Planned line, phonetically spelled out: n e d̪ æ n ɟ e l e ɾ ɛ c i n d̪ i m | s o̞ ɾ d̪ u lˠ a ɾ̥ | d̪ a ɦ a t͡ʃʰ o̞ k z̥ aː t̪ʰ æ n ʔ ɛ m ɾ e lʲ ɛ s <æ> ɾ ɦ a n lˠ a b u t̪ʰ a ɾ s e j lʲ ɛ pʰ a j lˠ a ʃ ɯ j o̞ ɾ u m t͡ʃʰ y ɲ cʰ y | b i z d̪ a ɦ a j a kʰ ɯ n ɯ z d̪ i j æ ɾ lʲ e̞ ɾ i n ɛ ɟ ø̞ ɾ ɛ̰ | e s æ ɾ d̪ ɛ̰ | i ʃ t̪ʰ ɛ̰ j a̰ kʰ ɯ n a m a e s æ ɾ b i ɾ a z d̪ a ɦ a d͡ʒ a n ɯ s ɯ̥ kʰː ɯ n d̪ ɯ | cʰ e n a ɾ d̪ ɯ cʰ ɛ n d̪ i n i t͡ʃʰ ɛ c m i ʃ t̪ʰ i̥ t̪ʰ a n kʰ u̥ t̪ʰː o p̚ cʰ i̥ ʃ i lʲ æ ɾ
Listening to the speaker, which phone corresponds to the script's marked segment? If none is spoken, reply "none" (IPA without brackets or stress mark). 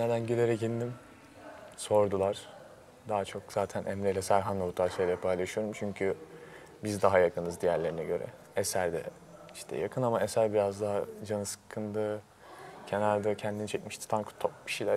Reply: æ